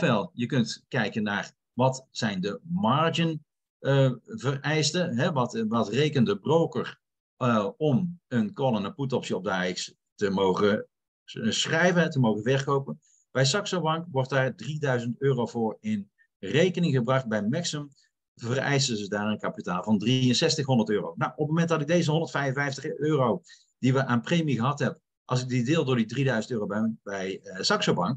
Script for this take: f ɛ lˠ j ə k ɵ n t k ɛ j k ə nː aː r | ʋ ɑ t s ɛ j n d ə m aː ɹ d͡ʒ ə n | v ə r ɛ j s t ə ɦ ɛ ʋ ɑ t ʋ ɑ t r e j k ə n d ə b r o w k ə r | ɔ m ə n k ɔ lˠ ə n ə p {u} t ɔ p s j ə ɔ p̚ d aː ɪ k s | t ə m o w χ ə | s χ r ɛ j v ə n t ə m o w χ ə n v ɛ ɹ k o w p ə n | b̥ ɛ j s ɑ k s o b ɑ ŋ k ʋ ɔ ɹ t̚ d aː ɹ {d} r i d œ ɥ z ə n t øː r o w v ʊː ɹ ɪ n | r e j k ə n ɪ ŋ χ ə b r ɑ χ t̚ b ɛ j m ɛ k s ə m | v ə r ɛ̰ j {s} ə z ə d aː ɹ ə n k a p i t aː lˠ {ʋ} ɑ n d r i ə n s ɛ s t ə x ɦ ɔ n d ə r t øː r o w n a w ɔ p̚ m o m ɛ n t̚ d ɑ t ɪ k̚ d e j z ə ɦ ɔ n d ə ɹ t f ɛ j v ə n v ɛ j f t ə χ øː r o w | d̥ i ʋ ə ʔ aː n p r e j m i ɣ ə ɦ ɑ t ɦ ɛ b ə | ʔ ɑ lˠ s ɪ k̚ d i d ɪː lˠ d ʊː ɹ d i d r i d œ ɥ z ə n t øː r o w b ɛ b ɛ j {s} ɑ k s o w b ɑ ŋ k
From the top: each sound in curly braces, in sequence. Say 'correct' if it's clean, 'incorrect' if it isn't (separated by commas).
correct, correct, correct, incorrect, correct